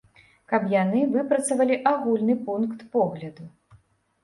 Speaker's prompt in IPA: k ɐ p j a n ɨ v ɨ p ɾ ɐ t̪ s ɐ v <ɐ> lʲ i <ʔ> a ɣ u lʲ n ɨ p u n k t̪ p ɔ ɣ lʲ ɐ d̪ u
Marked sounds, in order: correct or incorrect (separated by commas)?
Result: correct, correct